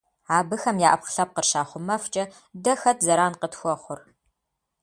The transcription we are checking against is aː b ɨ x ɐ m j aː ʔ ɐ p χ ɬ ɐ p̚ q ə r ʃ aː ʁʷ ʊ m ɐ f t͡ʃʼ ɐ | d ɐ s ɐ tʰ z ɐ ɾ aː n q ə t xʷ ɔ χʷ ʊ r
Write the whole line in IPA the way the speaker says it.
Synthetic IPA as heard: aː b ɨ x ɐ m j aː ʔ ɐ p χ ɬ ɐ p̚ q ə r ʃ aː χʷ ʊ m ɐ f t͡ʃʼ ɐ | d ɐ x ɐ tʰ z ɐ ɾ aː n q ə t xʷ ɔ χʷ ʊ r